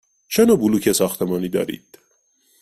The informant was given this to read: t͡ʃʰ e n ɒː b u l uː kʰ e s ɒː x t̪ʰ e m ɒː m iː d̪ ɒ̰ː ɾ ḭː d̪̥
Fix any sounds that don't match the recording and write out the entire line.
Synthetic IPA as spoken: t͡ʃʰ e n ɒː b u l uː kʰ e s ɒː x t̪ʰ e m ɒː n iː d̪ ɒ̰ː ɾ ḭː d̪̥

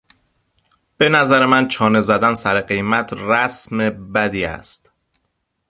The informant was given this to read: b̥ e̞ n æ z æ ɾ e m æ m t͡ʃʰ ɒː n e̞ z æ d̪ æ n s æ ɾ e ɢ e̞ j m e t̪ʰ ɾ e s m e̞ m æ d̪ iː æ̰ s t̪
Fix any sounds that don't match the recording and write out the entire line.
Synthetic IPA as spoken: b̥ e̞ n æ z æ ɾ e m æ n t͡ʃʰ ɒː n e̞ z æ d̪ æ n s æ ɾ e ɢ e̞ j m æ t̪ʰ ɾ æ s m e̞ b æ d̪ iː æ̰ s t̪

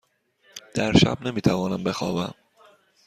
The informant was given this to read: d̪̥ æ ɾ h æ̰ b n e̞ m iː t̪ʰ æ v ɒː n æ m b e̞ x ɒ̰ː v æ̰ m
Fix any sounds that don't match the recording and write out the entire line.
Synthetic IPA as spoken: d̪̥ æ ɾ ʃ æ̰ b n e̞ m iː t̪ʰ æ v ɒː n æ m b e̞ x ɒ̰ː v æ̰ m

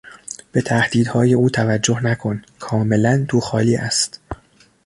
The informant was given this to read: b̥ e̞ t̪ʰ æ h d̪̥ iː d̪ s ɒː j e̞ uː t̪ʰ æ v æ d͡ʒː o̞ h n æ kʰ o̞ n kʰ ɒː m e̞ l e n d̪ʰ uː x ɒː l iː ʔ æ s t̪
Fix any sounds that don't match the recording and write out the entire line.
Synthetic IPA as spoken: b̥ e̞ t̪ʰ æ h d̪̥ iː d̪ h ɒː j e̞ uː t̪ʰ æ v æ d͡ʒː o̞ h n æ kʰ o̞ n kʰ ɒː m e̞ l æ n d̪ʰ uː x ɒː l iː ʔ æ s t̪

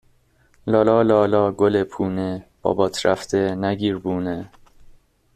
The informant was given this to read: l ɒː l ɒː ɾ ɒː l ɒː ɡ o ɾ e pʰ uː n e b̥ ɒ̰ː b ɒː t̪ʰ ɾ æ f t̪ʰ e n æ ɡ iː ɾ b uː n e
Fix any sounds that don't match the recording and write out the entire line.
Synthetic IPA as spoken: l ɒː l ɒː l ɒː l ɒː ɡ o l e pʰ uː n e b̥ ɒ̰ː b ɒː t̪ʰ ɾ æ f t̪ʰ e n æ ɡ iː ɾ b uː n e

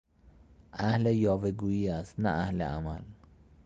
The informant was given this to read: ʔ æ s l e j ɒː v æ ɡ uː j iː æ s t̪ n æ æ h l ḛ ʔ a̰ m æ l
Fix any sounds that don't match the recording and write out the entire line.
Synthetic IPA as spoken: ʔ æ h l e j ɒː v e ɡ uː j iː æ s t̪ n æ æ h l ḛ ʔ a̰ m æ l

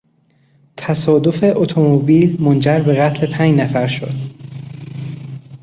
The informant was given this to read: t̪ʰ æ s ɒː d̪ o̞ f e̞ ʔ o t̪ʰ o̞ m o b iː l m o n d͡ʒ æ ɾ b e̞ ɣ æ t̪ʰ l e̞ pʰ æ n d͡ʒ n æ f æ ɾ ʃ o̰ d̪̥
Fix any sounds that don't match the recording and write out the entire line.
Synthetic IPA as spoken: t̪ʰ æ s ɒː d̪ o̞ f e̞ ʔ o t̪ʰ o̞ m o b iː l m o n d͡ʒ æ ɾ b e̞ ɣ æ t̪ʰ l e̞ pʰ æ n d͡ʒ n æ f æ ɾ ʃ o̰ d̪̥

